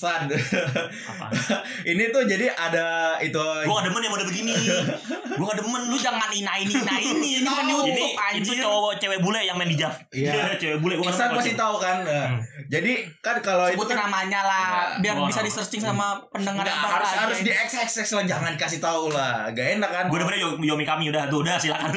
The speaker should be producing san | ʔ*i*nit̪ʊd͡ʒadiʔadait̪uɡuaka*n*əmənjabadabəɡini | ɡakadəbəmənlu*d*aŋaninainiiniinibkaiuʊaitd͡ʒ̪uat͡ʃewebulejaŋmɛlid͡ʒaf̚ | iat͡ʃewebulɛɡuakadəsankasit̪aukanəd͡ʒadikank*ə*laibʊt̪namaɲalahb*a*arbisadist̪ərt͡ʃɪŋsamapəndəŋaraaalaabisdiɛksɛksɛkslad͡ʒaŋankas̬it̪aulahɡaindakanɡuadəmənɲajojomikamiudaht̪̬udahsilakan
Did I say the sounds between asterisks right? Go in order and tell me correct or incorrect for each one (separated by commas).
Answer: correct, incorrect, incorrect, incorrect, incorrect